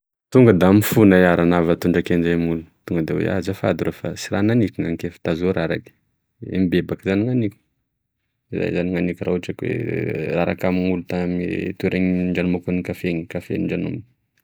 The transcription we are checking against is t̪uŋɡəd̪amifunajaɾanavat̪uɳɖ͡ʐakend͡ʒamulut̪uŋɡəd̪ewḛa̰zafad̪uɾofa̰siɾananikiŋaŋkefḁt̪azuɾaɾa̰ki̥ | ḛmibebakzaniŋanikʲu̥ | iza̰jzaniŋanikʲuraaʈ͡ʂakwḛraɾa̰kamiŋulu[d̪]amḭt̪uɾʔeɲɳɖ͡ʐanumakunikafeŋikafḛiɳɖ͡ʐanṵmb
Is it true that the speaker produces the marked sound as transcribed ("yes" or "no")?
no